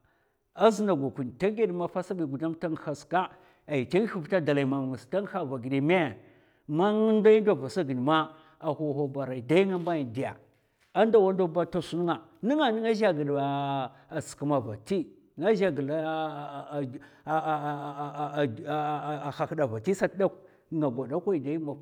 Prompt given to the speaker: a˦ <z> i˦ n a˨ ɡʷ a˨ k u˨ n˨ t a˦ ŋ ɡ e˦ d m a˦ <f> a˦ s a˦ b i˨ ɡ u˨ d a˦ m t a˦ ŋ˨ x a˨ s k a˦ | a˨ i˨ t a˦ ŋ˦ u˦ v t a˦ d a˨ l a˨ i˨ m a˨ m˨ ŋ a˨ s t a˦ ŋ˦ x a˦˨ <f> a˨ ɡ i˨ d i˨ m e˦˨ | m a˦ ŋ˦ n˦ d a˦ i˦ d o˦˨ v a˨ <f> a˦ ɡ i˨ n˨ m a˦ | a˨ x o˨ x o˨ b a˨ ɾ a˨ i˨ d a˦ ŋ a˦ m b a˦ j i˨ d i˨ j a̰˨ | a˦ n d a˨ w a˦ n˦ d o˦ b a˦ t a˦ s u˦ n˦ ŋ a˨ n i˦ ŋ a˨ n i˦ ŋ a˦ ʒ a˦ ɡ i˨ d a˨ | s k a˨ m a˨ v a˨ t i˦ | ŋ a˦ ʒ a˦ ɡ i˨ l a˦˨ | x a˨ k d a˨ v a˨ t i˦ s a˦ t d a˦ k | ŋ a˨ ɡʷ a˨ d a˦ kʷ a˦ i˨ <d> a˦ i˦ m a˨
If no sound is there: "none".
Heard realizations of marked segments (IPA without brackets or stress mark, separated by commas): z, f, v, s, d